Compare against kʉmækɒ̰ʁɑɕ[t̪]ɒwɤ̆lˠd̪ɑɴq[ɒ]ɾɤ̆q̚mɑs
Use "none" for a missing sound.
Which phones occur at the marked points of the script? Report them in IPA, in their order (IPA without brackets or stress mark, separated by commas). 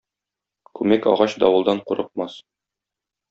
d̪, u